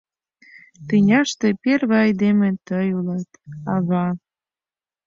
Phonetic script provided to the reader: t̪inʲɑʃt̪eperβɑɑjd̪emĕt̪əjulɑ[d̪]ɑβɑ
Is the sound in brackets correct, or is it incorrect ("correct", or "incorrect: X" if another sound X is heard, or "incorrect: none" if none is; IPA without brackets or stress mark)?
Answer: incorrect: t̪